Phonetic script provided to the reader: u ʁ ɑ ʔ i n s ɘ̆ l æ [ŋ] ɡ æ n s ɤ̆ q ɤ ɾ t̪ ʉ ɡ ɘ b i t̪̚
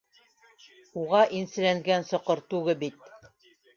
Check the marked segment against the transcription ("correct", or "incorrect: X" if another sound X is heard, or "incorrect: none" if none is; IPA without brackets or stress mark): correct